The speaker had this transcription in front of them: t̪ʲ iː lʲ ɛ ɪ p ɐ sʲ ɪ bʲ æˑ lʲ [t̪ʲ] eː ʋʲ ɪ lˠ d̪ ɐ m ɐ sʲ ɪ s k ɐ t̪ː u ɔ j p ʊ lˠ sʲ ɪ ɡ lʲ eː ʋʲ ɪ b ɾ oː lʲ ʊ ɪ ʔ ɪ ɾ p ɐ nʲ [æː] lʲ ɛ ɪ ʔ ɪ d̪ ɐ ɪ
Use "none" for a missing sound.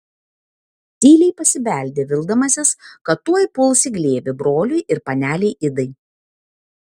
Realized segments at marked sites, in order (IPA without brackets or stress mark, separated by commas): d̪ʲ, æː